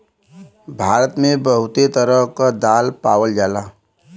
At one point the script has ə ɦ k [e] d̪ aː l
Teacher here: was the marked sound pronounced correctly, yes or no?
no